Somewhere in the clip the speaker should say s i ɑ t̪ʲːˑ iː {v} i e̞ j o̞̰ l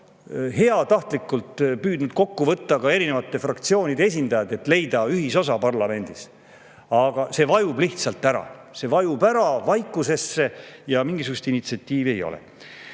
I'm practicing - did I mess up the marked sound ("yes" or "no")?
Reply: no